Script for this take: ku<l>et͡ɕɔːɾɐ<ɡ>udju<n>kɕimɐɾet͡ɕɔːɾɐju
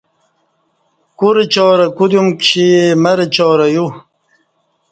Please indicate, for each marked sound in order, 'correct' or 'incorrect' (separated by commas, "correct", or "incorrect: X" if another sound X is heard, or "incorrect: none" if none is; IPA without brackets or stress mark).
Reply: incorrect: ɾ, incorrect: k, incorrect: m